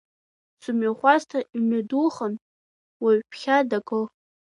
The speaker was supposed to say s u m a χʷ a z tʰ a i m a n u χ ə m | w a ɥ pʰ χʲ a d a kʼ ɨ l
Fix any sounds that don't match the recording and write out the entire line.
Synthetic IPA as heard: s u m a χʷ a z tʰ a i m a d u χ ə n | w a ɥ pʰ χʲ a d a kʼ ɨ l